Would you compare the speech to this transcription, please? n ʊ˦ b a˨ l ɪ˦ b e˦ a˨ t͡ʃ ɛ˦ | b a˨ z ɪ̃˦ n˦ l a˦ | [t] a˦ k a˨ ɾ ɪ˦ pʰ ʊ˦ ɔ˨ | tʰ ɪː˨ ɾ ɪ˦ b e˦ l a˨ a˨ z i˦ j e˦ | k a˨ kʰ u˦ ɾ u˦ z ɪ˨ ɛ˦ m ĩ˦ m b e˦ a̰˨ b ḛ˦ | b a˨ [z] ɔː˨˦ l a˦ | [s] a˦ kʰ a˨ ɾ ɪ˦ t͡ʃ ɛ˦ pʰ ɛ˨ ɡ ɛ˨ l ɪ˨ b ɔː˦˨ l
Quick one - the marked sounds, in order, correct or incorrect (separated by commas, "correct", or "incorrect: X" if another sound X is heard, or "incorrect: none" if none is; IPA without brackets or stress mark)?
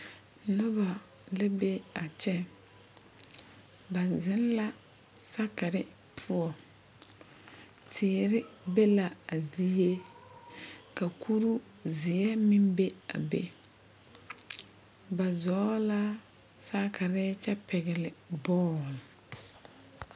incorrect: s, correct, correct